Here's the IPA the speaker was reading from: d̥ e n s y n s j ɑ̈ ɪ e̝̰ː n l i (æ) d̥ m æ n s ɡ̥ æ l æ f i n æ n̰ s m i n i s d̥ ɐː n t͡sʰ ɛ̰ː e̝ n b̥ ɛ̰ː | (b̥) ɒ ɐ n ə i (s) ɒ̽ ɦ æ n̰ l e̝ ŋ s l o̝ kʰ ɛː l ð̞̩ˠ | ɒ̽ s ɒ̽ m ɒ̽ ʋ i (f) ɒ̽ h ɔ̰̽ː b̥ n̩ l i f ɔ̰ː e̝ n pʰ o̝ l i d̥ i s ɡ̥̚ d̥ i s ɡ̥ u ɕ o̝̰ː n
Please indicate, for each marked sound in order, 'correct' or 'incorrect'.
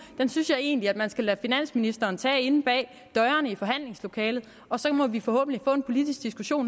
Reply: correct, incorrect, incorrect, correct

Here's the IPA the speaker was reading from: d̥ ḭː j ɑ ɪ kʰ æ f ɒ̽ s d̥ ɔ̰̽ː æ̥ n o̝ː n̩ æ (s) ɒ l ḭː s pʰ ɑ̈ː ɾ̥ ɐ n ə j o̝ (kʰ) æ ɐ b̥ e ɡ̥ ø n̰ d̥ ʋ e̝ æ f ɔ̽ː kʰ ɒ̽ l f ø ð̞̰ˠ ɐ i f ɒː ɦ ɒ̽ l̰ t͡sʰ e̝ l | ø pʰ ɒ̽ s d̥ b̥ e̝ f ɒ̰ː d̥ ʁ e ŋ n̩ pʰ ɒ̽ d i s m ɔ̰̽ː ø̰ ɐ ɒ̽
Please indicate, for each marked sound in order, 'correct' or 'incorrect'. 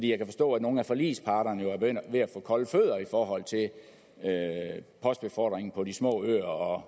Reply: incorrect, incorrect

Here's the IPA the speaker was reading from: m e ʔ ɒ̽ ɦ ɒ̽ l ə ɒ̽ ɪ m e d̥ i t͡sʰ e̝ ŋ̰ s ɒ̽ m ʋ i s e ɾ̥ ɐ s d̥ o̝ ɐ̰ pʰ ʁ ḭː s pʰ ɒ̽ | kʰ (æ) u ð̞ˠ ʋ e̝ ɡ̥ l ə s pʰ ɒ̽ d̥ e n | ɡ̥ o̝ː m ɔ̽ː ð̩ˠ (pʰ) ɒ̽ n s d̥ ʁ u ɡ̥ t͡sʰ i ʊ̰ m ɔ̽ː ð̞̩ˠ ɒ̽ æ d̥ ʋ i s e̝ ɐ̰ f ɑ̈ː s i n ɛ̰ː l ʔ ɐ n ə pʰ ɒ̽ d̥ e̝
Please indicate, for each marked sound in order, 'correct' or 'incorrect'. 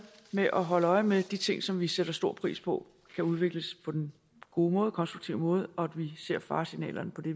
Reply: correct, incorrect

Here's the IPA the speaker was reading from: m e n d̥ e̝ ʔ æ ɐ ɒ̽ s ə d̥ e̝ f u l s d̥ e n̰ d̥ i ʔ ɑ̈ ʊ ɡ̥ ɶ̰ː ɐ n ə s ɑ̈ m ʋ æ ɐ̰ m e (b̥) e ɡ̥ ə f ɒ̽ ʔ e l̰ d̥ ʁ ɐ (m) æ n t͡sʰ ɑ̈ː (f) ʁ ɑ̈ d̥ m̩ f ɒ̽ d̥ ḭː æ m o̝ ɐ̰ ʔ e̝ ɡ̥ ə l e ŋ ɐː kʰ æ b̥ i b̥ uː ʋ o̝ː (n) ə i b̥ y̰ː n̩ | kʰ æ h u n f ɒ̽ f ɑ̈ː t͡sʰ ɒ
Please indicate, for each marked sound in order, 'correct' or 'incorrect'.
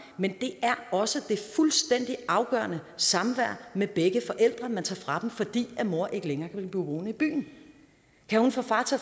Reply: correct, correct, correct, correct

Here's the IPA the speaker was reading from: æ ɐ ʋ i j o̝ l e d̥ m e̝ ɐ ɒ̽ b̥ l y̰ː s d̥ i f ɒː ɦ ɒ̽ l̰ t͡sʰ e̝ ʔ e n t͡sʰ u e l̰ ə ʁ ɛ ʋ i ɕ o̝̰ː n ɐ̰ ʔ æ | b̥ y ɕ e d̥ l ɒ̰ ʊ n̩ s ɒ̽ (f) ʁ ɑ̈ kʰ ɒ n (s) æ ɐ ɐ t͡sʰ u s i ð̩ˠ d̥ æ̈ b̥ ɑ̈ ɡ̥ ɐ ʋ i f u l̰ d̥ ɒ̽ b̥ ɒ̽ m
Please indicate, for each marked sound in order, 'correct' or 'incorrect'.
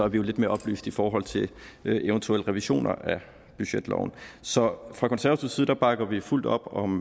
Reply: correct, correct

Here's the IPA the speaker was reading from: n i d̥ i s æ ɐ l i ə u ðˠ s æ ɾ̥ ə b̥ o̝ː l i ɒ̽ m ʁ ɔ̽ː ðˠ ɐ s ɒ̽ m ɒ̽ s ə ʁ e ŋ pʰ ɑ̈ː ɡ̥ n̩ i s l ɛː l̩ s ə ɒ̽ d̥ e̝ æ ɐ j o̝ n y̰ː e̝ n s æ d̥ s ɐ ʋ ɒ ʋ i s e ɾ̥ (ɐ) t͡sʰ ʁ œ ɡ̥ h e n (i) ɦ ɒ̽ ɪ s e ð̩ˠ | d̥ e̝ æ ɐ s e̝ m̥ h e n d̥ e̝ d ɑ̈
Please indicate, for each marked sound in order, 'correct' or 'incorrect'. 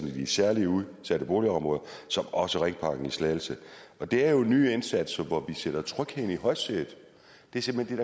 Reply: correct, correct

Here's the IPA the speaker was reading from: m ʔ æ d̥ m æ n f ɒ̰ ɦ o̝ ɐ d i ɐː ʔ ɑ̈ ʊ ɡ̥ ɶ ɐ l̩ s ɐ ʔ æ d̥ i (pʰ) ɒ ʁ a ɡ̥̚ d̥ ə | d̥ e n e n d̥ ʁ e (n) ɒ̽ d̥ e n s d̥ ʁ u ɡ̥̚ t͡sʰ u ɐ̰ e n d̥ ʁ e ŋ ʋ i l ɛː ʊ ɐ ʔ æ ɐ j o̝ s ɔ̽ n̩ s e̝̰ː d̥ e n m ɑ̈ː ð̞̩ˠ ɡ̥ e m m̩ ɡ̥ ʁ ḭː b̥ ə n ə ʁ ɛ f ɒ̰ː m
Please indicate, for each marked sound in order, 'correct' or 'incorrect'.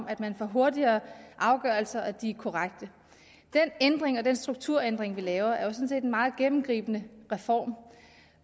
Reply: incorrect, incorrect

